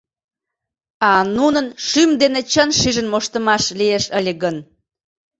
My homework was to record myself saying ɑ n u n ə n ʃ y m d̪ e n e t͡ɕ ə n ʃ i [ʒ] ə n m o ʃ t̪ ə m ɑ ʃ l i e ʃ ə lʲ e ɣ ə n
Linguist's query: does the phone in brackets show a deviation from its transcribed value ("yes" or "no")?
no